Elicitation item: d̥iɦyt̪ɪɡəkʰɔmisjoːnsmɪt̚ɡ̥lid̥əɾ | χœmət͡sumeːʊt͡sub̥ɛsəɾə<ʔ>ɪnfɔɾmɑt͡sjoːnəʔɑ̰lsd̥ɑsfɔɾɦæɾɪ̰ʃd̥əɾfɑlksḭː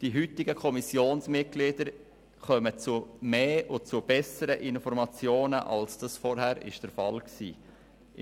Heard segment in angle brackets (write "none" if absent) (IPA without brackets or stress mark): ʔ